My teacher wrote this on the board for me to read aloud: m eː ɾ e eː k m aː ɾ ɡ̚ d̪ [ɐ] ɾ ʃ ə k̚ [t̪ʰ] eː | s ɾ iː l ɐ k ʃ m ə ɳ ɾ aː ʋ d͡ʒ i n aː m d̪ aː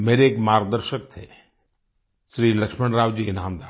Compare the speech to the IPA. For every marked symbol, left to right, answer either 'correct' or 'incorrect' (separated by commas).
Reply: incorrect, correct